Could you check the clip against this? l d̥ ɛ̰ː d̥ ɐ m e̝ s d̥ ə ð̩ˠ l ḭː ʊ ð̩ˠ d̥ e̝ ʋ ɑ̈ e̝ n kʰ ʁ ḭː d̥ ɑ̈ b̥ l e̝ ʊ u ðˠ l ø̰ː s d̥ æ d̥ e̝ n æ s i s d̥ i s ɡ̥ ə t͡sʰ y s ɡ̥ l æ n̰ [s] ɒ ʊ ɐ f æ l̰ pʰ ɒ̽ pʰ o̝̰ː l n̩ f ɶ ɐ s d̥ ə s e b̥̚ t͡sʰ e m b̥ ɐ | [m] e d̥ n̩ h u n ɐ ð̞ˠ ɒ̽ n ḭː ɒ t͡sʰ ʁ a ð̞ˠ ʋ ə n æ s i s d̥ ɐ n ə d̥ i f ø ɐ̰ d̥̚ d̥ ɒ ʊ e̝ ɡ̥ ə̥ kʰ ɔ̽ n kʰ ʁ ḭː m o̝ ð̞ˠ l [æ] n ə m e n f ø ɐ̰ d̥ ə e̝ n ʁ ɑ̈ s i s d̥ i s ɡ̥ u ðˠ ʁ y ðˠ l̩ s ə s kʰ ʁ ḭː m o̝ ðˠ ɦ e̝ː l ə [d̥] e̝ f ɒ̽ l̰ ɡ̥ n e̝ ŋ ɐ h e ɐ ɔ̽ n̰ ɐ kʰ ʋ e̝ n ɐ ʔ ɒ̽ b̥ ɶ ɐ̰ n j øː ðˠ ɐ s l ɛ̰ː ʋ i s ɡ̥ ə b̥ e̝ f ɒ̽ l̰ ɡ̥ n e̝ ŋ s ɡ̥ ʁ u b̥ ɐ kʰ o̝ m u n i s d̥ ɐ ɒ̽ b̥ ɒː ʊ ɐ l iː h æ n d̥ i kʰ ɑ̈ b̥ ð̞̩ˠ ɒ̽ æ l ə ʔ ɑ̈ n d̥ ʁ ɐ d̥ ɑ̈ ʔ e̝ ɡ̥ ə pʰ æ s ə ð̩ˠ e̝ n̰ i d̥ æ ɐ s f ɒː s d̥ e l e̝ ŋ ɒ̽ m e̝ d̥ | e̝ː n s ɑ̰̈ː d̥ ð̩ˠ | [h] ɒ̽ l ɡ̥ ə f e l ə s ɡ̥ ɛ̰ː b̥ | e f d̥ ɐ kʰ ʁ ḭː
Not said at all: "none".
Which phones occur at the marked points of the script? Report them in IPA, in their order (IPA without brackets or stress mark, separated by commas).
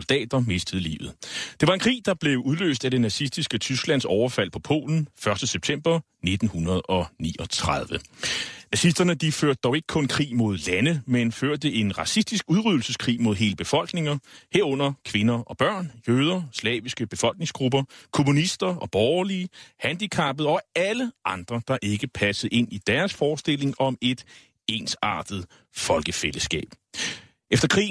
s, n, æ, b̥, f